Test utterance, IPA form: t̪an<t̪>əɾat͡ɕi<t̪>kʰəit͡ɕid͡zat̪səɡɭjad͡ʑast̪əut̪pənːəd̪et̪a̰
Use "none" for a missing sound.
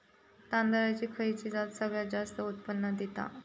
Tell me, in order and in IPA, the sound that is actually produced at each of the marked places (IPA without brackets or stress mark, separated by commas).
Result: d̪, none